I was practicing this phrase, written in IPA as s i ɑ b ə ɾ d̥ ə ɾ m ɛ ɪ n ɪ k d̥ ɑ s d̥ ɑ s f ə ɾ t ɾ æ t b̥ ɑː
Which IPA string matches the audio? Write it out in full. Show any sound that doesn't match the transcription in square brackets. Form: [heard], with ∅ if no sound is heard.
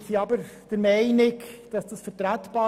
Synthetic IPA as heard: s i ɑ b ə ɾ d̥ ə ɾ m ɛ ɪ n ɪ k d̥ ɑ s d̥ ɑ s f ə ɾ t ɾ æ t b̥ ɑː